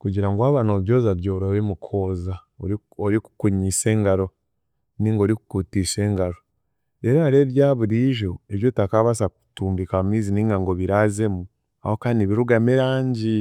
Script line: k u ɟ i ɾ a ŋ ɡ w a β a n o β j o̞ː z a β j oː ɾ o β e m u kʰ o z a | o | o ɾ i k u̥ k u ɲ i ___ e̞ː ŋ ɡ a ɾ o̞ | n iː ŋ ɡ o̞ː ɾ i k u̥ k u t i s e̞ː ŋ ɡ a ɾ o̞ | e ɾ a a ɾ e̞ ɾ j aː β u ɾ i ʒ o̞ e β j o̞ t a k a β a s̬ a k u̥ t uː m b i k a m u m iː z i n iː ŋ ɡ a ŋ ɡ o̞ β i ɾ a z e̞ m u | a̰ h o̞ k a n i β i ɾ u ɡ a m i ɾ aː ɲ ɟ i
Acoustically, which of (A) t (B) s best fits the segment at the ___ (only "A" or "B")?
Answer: B